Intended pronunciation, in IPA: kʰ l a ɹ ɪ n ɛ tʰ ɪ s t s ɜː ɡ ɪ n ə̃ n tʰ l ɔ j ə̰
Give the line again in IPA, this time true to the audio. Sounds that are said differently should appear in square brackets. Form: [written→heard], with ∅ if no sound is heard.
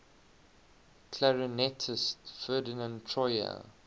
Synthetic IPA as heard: kʰ l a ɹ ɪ n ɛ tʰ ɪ s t [s→f] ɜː [ɡ→d] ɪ n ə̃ n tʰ [l→ɹ] ɔ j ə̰

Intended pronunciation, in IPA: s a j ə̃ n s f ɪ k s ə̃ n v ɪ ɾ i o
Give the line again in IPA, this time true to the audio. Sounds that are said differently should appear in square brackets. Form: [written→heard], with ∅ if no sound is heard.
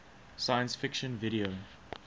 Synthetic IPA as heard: s a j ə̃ n s f ɪ k [s→ʃ] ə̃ n v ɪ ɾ i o

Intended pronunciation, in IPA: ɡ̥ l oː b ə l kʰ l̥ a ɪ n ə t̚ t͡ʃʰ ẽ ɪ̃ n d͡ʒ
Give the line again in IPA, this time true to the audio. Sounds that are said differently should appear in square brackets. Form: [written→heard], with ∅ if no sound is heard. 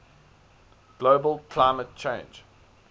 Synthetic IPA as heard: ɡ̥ l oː b ə l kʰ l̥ a ɪ [n→m] ə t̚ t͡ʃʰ ẽ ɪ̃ n d͡ʒ

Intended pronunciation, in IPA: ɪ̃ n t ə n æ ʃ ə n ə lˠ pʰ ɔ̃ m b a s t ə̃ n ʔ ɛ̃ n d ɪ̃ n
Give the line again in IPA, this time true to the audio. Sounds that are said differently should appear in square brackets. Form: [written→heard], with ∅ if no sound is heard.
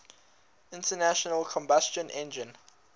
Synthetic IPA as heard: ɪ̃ n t ə n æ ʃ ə n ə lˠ [pʰ→kʰ] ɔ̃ m b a s [t→t͡ʃ] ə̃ n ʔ ɛ̃ n [d→d͡ʒ] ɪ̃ n

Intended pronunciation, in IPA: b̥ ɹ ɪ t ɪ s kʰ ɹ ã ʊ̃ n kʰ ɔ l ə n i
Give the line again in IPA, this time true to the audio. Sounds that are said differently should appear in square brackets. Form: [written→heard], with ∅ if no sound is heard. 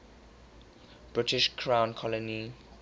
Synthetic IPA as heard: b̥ ɹ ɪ t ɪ [s→ʃ] kʰ ɹ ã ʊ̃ n kʰ ɔ l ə n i

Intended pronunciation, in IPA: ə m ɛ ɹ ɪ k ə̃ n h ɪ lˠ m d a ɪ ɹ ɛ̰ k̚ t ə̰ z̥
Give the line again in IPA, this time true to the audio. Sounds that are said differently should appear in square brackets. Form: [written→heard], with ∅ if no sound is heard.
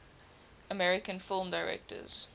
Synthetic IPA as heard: ə m ɛ ɹ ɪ k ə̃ n [h→f] ɪ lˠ m d a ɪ ɹ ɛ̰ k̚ t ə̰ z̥

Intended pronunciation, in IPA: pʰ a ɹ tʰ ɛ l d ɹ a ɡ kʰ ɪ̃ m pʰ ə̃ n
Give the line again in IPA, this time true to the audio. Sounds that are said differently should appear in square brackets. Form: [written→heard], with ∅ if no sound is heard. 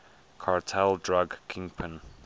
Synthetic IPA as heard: [pʰ→kʰ] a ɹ tʰ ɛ l d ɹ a ɡ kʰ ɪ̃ [m→ŋ] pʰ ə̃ n

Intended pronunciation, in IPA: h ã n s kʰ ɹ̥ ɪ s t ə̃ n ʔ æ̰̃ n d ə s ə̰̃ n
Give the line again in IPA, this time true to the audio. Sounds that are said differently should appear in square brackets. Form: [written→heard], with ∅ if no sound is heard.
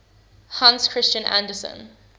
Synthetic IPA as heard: h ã n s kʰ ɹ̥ ɪ s [t→t͡ʃ] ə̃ n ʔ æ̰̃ n d ə s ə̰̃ n

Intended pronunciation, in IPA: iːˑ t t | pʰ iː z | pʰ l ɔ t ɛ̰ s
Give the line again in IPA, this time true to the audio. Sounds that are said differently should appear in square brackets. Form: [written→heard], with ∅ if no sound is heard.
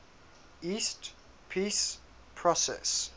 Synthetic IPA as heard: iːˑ [t→s] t | pʰ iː [z→s] | pʰ [l→ɹ] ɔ [t→s] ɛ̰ s

